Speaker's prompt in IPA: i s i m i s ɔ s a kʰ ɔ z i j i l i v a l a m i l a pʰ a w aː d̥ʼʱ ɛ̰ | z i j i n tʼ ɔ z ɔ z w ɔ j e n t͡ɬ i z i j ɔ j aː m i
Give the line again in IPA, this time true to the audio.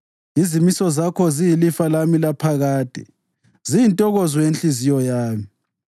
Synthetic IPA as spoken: i z i m i s ɔ z a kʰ ɔ z i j i l i f a l a m i l a pʰ a ɣ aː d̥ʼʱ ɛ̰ | z i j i n tʼ ɔ ɣ ɔ z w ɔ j e n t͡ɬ i z i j ɔ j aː m i